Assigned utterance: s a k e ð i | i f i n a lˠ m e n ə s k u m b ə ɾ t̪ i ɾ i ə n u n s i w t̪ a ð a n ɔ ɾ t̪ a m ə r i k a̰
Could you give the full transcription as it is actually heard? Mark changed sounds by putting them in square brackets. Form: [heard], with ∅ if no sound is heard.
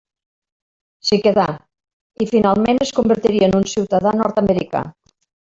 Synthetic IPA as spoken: s [i] k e ð [a] | i f i n a lˠ m e n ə s k u m b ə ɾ t̪ i ɾ i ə n u n s i w t̪ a ð a n ɔ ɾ t̪ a m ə [ɾ] i k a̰